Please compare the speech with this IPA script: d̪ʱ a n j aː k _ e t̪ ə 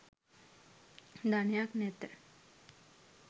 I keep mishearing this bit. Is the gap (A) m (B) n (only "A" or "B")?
B